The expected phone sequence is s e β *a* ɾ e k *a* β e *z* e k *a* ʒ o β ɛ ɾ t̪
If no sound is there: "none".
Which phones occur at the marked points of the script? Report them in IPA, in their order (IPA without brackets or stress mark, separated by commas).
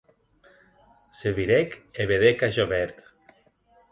i, e, ð, a